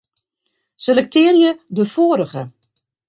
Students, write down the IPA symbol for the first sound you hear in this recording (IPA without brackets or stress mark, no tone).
s